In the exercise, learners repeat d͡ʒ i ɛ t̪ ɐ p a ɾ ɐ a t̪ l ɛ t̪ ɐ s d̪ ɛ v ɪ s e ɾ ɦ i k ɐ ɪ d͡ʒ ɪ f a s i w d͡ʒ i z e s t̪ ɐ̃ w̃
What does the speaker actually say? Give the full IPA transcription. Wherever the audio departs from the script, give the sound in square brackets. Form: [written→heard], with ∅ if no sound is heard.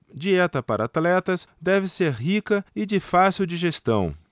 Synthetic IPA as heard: d͡ʒ i ɛ t̪ ɐ p a ɾ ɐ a t̪ l ɛ t̪ ɐ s d̪ ɛ v ɪ s e ɾ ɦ i k ɐ ɪ d͡ʒ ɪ f a s i w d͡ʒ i [z→ʒ] e s t̪ ɐ̃ w̃